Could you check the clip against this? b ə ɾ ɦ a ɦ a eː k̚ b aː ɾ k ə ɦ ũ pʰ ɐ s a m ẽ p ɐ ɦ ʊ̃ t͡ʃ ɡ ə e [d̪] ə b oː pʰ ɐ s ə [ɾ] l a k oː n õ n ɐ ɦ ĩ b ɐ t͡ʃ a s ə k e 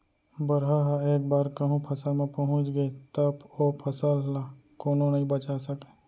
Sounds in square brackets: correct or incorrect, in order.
incorrect: t̪, incorrect: l

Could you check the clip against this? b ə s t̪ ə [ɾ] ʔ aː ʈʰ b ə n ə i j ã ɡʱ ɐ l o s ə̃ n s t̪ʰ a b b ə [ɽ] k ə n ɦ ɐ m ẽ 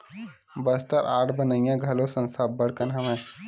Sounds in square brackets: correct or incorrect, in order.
correct, correct

